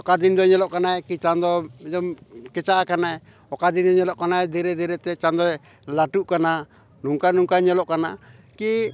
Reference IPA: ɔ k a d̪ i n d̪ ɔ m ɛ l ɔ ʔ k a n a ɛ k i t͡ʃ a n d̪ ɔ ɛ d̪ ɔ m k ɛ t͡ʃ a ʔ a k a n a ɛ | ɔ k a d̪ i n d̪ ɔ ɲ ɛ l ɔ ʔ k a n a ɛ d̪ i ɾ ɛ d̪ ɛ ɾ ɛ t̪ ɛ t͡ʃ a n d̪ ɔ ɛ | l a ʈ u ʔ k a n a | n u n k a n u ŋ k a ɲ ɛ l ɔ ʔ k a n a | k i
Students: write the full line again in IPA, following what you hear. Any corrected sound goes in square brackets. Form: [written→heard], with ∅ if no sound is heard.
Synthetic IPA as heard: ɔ k a d̪ i n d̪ ɔ [m→ɲ] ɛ l ɔ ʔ k a n a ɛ k i t͡ʃ a n d̪ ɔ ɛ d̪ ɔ m k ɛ t͡ʃ a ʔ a k a n a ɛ | ɔ k a d̪ i n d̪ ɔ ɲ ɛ l ɔ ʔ k a n a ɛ d̪ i ɾ ɛ d̪ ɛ ɾ ɛ t̪ ɛ t͡ʃ a n d̪ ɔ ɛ | l a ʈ u ʔ k a n a | n u [n→ŋ] k a n u ŋ k a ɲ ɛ l ɔ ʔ k a n a | k i